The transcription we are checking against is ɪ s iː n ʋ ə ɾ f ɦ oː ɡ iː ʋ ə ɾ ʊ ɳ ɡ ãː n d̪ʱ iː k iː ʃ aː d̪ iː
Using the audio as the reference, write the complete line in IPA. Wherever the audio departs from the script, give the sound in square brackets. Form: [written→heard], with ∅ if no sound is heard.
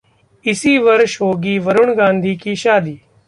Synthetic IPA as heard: ɪ s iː [n→∅] ʋ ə ɾ [f→ʃ] ɦ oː ɡ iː ʋ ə ɾ ʊ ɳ ɡ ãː n d̪ʱ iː k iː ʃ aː d̪ iː